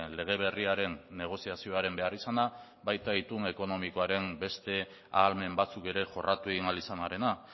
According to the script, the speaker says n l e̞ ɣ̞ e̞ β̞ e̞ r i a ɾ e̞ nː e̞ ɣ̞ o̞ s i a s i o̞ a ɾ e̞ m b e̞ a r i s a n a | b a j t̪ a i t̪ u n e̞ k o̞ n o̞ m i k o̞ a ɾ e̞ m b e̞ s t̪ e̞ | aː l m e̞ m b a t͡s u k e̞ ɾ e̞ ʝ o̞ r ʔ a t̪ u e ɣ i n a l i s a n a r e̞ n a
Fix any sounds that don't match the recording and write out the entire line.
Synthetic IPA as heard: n l e̞ ɣ̞ e̞ β̞ e̞ r i a ɾ e̞ nː e̞ ɣ̞ o̞ s i a s i o̞ a ɾ e̞ m b e̞ a r i s a n a | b a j t̪ a i t̪ u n e̞ k o̞ n o̞ m i k o̞ a ɾ e̞ m b e̞ s t̪ e̞ | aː l m e̞ m b a t͡s u k e̞ ɾ e̞ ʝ o̞ r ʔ a t̪ u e ɣ i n a l i s a n a ɾ e̞ n a